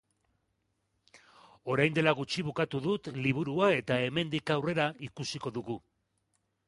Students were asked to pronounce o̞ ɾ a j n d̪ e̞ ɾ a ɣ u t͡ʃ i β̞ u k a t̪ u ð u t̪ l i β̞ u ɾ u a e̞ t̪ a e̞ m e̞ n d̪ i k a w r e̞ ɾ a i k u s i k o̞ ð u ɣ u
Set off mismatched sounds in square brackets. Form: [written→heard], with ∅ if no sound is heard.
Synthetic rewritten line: o̞ ɾ a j n d̪ e̞ [ɾ→l] a ɣ u t͡ʃ i β̞ u k a t̪ u ð u t̪ l i β̞ u ɾ u a e̞ t̪ a e̞ m e̞ n d̪ i k a w r e̞ ɾ a i k u s i k o̞ ð u ɣ u